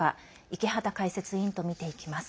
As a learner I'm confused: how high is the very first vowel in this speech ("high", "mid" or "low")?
low